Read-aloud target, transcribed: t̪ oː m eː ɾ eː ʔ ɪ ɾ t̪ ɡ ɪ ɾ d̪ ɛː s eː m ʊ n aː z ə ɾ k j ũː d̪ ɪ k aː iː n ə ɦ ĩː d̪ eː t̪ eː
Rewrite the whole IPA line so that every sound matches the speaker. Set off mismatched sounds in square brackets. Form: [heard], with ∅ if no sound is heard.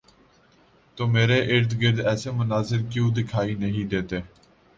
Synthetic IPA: t̪ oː m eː ɾ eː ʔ ɪ ɾ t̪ ɡ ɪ ɾ d̪ ɛː s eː m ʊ n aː z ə ɾ k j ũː d̪ ɪ [kʰ] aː iː n ə ɦ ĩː d̪ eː t̪ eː